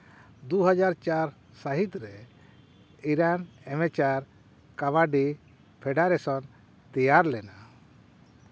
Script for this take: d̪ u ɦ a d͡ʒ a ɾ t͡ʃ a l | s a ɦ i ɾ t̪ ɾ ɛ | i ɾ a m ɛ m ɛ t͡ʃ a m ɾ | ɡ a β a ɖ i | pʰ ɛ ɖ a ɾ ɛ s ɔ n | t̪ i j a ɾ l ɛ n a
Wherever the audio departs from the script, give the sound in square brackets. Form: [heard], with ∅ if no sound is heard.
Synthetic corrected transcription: d̪ u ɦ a d͡ʒ a ɾ t͡ʃ a [ɾ] | s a ɦ i [∅] t̪ ɾ ɛ | i ɾ a [n] ɛ m ɛ t͡ʃ a [∅] ɾ | [k] a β a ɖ i | pʰ ɛ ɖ a ɾ ɛ s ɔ n | t̪ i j a ɾ l ɛ n a